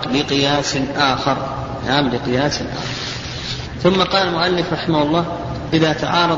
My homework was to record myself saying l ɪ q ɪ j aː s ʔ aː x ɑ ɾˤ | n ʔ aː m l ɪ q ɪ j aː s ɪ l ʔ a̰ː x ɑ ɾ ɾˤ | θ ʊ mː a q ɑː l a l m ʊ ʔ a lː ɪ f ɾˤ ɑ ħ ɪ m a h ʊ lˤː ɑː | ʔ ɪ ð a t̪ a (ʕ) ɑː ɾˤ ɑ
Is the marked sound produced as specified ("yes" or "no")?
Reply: yes